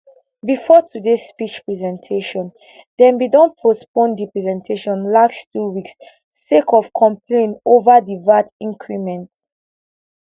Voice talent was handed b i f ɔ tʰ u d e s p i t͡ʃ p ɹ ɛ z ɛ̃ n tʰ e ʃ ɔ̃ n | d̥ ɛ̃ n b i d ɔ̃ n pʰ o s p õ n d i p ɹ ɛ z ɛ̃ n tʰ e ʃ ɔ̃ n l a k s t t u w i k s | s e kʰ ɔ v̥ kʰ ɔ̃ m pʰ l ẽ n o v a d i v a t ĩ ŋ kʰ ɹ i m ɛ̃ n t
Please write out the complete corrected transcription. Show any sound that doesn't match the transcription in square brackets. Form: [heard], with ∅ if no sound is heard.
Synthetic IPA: b i f ɔ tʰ u d e s p i t͡ʃ p ɹ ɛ z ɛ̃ n tʰ e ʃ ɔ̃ n | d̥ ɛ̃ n b i d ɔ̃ n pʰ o s p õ n d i p ɹ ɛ z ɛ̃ n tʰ e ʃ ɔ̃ n l a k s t t u w i k s | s e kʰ ɔ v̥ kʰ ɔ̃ m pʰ l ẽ n o v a d i v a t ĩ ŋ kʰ ɹ i m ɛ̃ n t